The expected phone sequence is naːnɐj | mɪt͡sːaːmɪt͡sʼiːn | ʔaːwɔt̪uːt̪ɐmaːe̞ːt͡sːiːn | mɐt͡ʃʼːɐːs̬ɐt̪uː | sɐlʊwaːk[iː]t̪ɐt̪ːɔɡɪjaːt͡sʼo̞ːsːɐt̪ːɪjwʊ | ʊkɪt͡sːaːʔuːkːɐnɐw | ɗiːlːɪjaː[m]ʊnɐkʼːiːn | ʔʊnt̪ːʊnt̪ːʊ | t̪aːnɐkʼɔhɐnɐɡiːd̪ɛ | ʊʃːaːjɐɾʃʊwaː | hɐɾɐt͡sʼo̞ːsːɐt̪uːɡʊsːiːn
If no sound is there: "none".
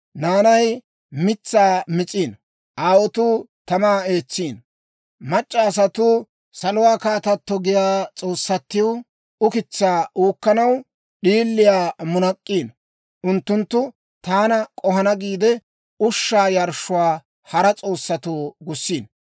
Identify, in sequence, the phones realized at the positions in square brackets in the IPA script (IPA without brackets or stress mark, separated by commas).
aː, m